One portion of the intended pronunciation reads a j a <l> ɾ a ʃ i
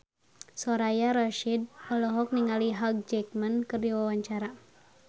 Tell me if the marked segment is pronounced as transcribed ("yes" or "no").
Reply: no